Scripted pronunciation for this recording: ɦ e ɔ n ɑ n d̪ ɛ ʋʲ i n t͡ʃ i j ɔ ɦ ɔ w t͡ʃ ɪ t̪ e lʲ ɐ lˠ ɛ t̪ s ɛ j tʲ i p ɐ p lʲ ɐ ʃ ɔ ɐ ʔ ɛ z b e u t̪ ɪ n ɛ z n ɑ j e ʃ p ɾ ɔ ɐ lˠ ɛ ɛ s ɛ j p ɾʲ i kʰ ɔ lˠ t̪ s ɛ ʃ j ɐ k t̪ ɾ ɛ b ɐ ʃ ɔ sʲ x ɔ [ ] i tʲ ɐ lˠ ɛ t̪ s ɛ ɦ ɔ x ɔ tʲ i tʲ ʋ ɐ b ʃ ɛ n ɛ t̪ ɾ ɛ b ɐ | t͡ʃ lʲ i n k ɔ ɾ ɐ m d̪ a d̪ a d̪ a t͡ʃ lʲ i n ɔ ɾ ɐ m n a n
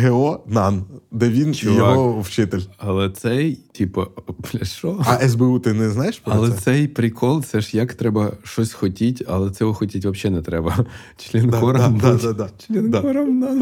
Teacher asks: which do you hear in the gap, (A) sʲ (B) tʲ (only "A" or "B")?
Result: B